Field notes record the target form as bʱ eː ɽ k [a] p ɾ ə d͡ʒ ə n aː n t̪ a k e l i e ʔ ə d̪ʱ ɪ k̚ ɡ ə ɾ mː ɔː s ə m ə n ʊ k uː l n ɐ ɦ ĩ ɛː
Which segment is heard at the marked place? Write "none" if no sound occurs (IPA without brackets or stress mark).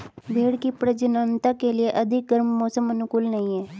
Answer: i